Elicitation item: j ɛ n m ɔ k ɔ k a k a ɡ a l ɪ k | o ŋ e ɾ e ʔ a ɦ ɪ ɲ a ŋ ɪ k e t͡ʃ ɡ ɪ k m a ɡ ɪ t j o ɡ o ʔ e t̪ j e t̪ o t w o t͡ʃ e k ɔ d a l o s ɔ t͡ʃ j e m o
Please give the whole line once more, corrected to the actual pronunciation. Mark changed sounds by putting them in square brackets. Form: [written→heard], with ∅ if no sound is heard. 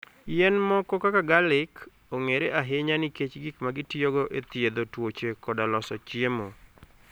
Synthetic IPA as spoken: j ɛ n m ɔ k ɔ k a k a ɡ a l ɪ k | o ŋ e ɾ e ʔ a ɦ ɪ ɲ a [ŋ→n] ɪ k e t͡ʃ ɡ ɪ k m a ɡ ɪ t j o ɡ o ʔ e t̪ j e [t̪→d̪] o t w o t͡ʃ e k ɔ d a l [o→ɔ] s ɔ t͡ʃ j e m o